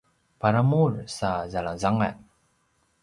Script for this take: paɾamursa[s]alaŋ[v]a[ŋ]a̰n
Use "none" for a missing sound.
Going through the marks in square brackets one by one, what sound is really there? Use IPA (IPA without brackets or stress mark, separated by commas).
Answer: z, z, ŋ